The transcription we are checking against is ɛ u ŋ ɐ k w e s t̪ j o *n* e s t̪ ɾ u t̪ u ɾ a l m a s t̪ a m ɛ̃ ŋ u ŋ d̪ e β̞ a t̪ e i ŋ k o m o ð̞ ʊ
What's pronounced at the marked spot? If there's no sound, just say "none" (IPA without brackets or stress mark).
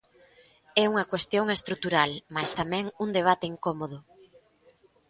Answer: ŋ